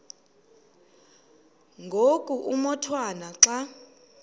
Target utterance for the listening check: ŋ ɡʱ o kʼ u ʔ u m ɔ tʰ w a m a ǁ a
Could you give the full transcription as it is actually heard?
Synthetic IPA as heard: ŋ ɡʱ o kʼ u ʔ u m ɔ tʰ w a n a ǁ a